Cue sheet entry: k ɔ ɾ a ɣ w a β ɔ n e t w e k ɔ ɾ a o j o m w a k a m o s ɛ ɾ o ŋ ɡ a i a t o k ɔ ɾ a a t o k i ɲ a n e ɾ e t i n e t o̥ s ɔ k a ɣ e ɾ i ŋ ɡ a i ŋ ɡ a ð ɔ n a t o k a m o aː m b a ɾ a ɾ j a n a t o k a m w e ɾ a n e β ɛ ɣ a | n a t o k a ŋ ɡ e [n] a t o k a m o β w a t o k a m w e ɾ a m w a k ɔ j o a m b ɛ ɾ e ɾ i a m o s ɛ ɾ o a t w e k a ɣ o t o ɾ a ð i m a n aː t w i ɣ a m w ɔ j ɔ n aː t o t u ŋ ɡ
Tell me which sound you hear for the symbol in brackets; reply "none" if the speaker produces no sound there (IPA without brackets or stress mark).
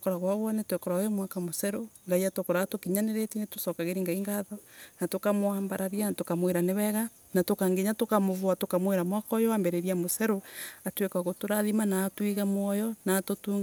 ɲ